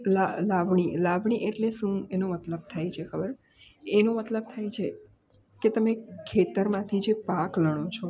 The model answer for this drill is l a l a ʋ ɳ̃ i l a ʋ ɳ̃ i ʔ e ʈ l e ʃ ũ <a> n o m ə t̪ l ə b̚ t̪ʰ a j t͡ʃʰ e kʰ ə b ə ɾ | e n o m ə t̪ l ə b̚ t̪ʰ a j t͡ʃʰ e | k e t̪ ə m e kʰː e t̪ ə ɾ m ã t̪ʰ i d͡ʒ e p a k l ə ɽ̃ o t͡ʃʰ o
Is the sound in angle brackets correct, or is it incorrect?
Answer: incorrect